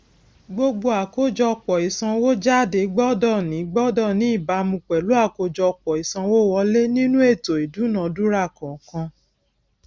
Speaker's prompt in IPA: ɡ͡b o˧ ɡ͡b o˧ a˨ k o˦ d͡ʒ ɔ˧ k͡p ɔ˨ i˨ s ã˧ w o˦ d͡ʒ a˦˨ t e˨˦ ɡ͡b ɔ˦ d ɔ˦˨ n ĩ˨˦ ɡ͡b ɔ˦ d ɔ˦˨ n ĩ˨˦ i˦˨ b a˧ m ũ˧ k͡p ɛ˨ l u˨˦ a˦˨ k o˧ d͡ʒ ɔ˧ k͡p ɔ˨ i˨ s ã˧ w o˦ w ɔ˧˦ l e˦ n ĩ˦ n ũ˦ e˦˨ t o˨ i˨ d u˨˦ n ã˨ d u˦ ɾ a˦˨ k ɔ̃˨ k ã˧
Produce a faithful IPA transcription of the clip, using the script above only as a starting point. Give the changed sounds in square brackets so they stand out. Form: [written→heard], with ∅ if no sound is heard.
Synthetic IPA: ɡ͡b o˧ ɡ͡b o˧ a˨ k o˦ d͡ʒ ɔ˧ k͡p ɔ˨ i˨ s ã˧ w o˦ d͡ʒ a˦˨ [t→d] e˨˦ ɡ͡b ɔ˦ d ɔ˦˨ n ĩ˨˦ ɡ͡b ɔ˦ d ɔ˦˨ n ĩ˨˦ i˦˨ b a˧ m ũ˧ k͡p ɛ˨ l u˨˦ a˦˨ k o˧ d͡ʒ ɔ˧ k͡p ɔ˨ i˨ s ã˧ w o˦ w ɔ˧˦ l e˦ n ĩ˦ n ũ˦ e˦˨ t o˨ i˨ d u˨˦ n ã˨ d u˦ ɾ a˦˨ k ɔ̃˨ k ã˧